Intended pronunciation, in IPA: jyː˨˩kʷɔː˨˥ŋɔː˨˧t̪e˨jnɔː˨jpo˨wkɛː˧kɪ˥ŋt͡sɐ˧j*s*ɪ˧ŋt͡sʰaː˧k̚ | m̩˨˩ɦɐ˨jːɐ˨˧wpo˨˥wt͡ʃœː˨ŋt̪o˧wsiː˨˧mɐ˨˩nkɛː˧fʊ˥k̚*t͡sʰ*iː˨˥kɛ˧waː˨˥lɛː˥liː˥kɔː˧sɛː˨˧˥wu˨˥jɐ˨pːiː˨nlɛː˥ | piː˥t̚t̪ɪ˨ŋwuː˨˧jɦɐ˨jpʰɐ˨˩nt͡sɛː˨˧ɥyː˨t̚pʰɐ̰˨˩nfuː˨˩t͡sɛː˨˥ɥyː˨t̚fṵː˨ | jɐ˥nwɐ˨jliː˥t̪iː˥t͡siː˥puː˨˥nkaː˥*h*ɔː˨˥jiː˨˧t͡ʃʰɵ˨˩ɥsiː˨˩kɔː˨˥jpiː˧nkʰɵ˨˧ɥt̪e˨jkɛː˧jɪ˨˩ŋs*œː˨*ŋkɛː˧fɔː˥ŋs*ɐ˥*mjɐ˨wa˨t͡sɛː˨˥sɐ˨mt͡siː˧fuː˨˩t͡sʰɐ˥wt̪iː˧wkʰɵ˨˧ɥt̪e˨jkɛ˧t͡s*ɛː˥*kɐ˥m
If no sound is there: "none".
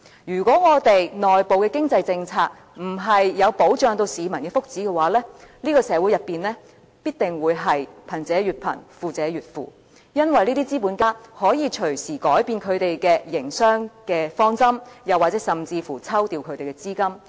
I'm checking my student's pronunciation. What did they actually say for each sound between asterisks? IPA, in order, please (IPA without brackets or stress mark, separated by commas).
t͡s, t͡s, h, œː˥, ɐ˥, iː˥